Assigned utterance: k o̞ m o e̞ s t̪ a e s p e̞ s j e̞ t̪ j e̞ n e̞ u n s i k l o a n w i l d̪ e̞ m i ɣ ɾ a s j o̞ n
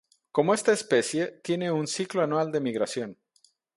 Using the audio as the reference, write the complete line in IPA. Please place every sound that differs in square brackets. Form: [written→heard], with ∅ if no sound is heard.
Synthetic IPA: k o̞ m o e̞ s t̪ a e s p e̞ s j e̞ t̪ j e̞ n e̞ u n s i k l o a n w [i→a] l d̪ e̞ m i ɣ ɾ a s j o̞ n